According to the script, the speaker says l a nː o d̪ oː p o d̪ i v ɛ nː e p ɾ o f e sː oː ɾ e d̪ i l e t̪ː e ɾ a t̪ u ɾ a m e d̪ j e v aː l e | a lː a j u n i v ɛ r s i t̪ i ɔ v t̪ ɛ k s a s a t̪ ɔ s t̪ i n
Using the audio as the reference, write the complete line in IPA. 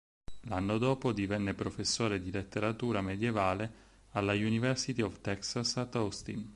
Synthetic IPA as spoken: l a nː o d̪ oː p o d̪ i v ɛ nː e p ɾ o f e sː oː ɾ e d̪ i l e t̪ː e ɾ a t̪ uː ɾ a m e d̪ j e v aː l e | a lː a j u n i v ɛ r s i t̪ i ɔ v t̪ ɛ k s a s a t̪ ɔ s t̪ i n